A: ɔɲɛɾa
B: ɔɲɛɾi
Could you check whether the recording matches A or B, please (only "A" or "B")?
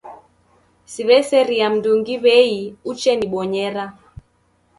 A